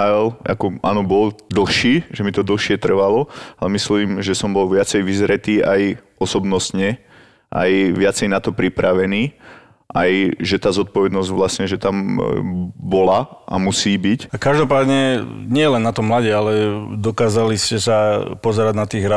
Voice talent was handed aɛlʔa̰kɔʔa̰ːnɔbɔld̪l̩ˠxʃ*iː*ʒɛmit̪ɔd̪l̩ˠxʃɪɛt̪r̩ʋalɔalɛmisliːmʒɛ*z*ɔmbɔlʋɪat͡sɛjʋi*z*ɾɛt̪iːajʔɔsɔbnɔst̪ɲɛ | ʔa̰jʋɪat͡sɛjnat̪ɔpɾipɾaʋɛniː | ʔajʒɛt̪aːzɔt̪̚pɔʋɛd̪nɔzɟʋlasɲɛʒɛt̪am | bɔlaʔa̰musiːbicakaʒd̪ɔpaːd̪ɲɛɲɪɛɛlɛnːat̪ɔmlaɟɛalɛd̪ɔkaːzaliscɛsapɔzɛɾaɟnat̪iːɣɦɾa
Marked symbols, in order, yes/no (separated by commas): yes, no, yes